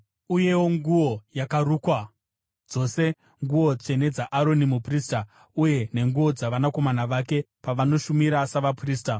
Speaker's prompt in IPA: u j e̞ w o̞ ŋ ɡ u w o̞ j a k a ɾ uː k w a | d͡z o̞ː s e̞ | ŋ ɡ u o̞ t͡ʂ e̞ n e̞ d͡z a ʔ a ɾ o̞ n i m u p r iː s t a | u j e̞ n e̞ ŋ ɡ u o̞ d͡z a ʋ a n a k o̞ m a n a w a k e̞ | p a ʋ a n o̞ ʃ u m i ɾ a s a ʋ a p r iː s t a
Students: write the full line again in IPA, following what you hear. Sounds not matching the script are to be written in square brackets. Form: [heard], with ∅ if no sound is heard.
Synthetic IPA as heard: u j e̞ w o̞ ŋ ɡ u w o̞ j a k a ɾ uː k w a | d͡z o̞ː s e̞ | ŋ ɡ u o̞ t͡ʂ e̞ n e̞ d͡z a ʔ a ɾ o̞ n i m u p r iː s t a | u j e̞ n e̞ ŋ ɡ u o̞ d͡z a ʋ a n a k o̞ m a n a [ʋ] a k e̞ | p a ʋ a n o̞ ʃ u m i ɾ a s a ʋ a p r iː s t a